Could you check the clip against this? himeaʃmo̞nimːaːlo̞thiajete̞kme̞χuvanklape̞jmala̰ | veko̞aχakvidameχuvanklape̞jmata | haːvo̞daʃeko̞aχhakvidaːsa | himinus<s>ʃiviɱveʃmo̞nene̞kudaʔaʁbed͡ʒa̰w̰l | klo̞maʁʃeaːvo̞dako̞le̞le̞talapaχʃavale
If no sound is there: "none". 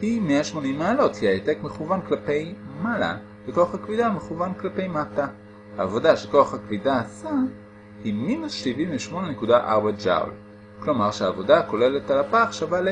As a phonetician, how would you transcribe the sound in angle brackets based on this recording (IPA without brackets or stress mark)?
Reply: ʃ